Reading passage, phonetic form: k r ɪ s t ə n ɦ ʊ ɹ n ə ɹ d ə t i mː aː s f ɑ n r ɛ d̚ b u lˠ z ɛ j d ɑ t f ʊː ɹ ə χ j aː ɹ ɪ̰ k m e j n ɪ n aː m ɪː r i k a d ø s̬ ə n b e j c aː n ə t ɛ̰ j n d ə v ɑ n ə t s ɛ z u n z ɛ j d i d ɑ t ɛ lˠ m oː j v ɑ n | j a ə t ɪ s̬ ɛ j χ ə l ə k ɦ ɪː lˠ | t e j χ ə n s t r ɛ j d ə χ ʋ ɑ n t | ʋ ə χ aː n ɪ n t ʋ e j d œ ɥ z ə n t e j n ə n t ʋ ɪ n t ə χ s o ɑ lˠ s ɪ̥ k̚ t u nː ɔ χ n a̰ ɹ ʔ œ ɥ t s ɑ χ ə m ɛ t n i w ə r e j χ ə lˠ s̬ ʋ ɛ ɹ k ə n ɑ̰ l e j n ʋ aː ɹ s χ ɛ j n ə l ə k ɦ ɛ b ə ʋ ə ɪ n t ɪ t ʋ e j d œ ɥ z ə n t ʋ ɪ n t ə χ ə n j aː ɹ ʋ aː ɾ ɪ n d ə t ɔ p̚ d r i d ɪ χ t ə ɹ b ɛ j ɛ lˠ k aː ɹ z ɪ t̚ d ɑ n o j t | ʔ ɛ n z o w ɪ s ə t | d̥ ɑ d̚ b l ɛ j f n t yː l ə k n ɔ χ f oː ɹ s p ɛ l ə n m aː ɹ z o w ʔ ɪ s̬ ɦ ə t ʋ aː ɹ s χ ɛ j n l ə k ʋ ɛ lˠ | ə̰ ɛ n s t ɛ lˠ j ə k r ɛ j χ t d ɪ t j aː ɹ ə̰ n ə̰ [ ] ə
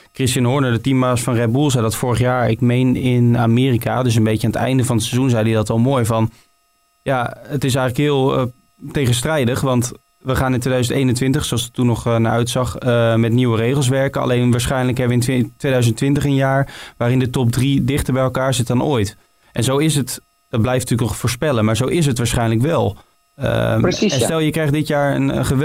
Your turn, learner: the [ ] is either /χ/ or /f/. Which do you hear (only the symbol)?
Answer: χ